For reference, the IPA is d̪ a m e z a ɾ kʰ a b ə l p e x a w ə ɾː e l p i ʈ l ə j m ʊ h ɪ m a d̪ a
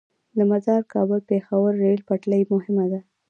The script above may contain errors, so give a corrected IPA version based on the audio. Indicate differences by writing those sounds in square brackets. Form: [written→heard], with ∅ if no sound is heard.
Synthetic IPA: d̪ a m [e→a] z [a→ɑ] ɾ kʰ [a→ɑ] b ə l p e x a w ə ɾː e l p [i→a] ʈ l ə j m ʊ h ɪ m a d̪ a